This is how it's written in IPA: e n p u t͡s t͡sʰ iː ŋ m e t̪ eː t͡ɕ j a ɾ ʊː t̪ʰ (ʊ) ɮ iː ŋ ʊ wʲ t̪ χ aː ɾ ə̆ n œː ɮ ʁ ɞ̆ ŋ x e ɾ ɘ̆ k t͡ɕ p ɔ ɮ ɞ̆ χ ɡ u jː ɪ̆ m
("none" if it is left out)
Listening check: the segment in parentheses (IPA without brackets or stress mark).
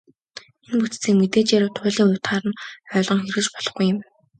ʊː